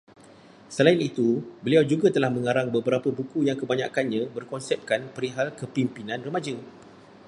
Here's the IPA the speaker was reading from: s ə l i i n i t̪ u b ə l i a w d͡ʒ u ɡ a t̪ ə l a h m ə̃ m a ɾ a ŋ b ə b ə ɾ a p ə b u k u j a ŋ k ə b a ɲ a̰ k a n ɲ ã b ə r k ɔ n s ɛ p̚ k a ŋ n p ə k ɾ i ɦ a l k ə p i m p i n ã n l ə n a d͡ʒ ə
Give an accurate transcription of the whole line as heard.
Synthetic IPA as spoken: s ə l a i n i t̪ u b ə l i a w d͡ʒ u ɡ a t̪ ə l a h m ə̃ ŋ a ɾ a ŋ b ə b ə ɾ a p ə b u k u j a ŋ k ə b a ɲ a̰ k a n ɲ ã b ə r k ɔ n s ɛ p̚ k a n p ə ɾ i ɦ a l k ə p i m p i n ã n r ə m a d͡ʒ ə